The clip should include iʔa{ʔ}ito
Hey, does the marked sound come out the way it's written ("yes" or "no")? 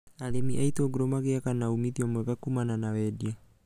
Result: no